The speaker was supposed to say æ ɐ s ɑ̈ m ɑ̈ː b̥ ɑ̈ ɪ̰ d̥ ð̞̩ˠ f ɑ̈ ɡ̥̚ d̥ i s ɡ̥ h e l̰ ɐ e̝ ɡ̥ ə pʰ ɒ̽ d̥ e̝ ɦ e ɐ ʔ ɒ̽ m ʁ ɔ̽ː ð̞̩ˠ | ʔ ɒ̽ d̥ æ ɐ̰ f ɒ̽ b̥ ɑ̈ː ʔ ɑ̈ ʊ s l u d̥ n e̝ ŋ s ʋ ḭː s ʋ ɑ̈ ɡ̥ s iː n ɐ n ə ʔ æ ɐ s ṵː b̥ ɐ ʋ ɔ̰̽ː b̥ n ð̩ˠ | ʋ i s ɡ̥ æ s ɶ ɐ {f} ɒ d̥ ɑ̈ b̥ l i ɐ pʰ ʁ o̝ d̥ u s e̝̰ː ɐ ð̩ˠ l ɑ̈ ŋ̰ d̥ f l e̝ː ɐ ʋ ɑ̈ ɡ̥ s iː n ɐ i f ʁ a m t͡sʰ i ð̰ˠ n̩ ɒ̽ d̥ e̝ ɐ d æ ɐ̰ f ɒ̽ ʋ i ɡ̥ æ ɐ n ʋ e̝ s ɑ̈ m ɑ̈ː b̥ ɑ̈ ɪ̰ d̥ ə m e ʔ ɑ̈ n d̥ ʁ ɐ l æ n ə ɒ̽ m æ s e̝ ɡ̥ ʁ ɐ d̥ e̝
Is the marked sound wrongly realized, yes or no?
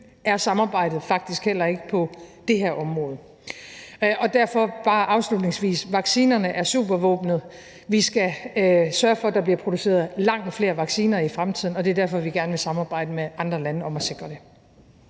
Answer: no